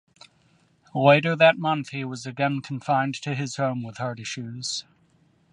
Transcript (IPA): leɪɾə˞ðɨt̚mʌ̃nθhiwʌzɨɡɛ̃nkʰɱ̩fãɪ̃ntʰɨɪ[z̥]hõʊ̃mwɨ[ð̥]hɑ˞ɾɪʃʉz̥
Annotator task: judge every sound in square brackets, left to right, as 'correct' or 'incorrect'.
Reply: correct, correct

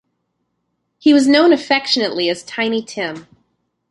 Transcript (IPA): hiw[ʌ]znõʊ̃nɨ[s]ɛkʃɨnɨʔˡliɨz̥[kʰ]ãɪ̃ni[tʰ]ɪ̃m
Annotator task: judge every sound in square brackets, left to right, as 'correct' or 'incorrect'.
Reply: correct, incorrect: f, incorrect: tʰ, correct

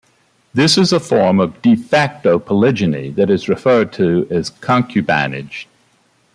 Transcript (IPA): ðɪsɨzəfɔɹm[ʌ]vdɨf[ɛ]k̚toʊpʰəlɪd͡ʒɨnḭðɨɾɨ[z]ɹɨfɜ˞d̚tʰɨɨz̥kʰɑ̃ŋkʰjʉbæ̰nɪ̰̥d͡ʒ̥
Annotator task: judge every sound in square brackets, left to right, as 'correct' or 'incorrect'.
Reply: correct, incorrect: æ, correct

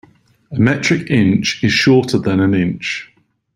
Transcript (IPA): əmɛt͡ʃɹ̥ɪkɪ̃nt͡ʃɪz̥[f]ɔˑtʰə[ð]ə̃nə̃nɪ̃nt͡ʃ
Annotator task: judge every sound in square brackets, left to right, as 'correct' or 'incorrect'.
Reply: incorrect: ʃ, correct

